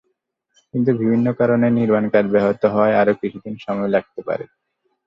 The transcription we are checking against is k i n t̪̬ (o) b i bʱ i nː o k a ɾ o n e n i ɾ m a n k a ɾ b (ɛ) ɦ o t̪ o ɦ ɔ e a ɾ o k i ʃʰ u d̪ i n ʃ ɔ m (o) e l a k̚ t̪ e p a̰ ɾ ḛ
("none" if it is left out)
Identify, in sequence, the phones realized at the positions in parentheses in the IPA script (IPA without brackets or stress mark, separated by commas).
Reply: u, ɛ, ɔ